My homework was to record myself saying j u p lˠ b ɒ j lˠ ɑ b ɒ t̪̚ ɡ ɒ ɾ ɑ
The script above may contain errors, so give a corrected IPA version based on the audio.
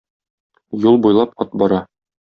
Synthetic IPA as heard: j u lˠ b u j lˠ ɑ p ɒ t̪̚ b ɒ ɾ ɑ